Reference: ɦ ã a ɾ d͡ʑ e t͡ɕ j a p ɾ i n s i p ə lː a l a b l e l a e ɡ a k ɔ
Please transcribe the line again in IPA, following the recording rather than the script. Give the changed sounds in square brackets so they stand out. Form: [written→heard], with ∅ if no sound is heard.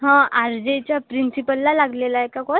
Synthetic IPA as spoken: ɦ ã a ɾ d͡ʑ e t͡ɕ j a p ɾ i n s i p ə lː a l a [b→ɡ] l e l a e [ɡ→k] a k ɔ